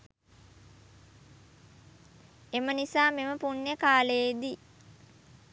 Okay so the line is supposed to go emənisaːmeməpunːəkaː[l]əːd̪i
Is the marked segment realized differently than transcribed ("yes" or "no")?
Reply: no